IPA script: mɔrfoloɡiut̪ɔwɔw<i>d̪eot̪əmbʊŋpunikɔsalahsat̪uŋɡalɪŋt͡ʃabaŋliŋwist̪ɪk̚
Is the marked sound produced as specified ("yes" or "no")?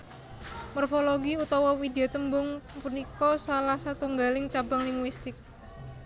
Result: yes